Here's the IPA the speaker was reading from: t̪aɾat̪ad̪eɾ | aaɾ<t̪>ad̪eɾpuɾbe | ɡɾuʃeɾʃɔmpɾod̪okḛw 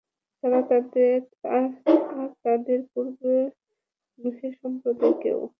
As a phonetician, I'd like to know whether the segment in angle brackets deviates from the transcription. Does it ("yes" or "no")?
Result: no